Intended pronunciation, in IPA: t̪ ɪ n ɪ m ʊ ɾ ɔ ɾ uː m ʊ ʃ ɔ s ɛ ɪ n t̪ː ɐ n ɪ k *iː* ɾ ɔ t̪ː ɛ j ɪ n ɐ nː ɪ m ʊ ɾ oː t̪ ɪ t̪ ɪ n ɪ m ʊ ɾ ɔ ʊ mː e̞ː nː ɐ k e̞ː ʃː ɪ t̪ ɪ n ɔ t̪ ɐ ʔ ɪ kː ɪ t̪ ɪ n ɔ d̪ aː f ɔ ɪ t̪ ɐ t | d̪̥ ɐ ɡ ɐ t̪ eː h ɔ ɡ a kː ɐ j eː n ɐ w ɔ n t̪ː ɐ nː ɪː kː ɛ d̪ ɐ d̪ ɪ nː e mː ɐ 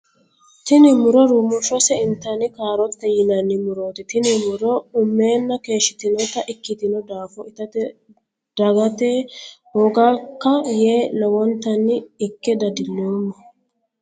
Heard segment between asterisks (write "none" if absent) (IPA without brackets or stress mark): aː